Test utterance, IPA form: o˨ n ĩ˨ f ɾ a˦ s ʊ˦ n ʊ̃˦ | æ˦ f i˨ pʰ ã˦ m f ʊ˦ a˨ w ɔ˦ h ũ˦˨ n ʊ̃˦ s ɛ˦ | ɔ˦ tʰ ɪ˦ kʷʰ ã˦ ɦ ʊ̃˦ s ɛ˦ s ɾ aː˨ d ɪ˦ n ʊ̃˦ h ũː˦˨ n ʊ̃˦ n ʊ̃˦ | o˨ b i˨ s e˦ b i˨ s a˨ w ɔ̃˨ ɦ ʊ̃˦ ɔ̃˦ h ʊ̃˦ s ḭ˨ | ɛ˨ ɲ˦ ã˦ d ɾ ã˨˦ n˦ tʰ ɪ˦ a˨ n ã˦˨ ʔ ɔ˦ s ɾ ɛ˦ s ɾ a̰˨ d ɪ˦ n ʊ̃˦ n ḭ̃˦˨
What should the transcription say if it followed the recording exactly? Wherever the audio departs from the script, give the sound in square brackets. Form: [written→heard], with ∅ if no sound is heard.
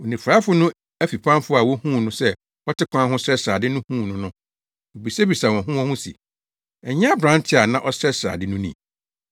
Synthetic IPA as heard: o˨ n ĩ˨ f ɾ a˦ [s→f] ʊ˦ n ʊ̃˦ | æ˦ f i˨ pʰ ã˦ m f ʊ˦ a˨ w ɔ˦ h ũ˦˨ n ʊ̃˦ s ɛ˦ | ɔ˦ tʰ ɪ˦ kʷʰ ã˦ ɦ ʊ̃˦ s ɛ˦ s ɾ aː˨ d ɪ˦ n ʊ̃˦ h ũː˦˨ n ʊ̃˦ n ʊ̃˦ | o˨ b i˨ s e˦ b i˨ s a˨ w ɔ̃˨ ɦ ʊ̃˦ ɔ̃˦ h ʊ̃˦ s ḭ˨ | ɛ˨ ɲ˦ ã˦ [d→b] ɾ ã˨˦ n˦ tʰ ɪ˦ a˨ n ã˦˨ ʔ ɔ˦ s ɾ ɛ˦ s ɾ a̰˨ d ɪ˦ n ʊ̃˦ n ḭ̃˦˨